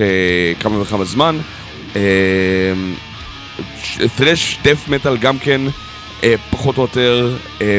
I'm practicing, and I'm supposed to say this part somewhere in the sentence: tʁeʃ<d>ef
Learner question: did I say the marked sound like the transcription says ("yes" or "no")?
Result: yes